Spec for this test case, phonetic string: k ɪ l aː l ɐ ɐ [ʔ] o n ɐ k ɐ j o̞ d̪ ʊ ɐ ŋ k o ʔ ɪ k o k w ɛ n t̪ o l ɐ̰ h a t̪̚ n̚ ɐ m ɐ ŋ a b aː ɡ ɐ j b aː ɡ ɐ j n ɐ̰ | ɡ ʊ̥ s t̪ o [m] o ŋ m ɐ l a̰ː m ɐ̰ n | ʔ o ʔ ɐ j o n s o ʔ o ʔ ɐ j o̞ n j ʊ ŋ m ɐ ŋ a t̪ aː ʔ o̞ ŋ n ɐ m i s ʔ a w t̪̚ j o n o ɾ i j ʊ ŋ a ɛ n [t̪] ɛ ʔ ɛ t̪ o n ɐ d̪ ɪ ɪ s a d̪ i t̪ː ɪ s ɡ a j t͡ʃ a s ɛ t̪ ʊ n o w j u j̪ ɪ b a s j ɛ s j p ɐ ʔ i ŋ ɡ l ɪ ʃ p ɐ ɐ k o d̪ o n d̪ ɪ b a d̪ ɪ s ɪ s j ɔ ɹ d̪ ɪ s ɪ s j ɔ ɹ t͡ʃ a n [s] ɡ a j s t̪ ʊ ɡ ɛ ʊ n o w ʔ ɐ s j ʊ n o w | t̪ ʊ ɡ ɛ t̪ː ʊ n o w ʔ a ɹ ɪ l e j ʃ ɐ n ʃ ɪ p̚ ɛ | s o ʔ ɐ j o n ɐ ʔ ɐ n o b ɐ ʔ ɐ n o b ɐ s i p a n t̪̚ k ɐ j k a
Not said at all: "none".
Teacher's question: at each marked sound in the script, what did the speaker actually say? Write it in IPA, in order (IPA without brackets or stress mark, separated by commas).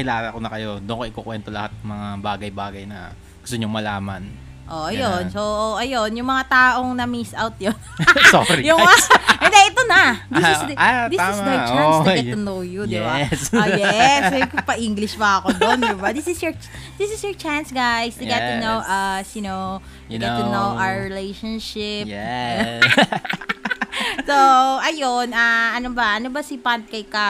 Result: k, ɲ, d̪, s